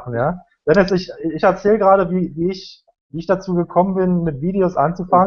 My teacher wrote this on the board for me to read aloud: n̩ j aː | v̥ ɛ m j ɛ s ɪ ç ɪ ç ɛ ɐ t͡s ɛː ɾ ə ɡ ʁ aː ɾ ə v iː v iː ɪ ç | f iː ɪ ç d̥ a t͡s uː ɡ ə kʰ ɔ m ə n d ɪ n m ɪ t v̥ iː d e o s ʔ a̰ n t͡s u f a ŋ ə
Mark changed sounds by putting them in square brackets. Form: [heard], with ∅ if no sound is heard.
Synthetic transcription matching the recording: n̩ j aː | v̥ ɛ [n] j ɛ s ɪ ç ɪ ç ɛ ɐ t͡s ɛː [l] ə ɡ ʁ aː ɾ ə v iː v iː ɪ ç | [v] iː ɪ ç d̥ a t͡s uː ɡ ə kʰ ɔ m ə n [b] ɪ n m ɪ t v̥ iː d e o s ʔ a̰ n t͡s u f a ŋ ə